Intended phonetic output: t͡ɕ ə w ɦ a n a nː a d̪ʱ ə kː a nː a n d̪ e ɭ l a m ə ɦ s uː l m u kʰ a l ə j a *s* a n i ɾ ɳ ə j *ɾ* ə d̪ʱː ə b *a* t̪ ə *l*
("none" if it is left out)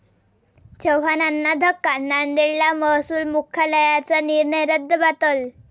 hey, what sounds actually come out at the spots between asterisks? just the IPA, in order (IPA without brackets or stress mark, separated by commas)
t͡s, ɾ, a, l